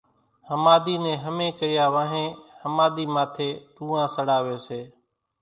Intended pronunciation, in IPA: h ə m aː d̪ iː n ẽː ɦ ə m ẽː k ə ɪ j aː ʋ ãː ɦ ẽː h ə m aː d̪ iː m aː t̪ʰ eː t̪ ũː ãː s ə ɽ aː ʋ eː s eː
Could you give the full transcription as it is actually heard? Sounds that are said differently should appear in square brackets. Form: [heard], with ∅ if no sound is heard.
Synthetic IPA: h ə m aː d̪ iː n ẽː ɦ ə m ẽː k ə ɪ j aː ʋ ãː ɦ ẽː h ə m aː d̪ iː m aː t̪ʰ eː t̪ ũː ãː s ə ɽ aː ʋ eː s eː